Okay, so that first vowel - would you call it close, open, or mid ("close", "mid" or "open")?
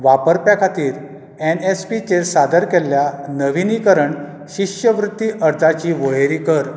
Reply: open